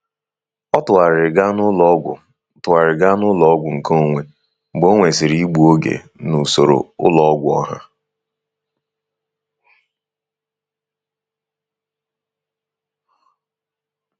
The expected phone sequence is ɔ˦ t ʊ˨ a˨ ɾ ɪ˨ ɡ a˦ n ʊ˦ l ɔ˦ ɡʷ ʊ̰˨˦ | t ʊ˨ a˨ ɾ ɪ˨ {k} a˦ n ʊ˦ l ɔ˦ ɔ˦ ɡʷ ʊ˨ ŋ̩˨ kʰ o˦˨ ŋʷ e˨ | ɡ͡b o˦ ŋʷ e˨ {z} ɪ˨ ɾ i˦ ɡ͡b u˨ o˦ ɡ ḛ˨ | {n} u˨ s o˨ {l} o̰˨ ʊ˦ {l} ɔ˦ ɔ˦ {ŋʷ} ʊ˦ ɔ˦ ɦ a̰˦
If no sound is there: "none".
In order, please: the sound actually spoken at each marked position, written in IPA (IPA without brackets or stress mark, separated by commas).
ɡ, s, n, ɾ, l, ɡʷ